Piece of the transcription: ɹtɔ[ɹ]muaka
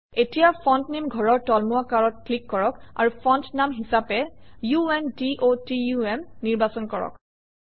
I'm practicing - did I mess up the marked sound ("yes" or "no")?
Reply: yes